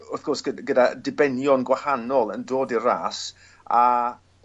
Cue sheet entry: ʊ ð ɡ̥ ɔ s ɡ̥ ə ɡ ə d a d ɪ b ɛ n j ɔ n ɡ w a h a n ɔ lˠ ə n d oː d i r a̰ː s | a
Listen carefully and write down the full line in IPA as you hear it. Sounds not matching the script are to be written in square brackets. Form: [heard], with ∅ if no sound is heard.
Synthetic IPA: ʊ [θ] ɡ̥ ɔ s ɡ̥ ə ɡ ə d a d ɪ b ɛ n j ɔ n ɡ w a h a n ɔ lˠ ə n d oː d i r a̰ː s | a